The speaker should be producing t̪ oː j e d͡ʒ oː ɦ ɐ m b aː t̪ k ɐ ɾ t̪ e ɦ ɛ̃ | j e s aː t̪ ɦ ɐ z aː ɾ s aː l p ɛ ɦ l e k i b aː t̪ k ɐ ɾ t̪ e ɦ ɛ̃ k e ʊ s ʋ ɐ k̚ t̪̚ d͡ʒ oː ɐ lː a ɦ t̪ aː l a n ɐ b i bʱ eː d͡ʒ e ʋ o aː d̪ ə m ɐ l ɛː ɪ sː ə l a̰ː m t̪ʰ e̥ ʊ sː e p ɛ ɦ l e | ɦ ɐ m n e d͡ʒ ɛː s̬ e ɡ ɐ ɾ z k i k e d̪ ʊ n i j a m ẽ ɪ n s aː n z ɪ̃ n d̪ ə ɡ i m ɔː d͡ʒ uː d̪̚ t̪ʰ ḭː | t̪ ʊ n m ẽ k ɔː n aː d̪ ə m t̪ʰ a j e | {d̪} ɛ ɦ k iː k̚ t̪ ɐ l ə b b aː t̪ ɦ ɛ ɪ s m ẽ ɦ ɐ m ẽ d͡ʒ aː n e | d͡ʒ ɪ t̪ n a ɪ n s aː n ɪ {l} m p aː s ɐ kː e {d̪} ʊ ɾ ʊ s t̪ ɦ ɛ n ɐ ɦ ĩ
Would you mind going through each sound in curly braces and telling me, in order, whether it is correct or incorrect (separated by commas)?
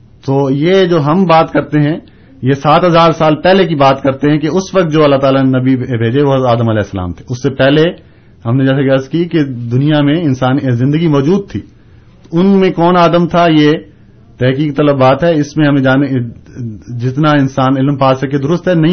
incorrect, correct, correct